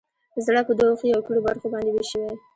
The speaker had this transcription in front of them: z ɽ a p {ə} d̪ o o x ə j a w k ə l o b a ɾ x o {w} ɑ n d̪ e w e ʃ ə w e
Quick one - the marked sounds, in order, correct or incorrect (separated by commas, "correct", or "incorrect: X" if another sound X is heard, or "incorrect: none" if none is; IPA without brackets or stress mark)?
correct, incorrect: b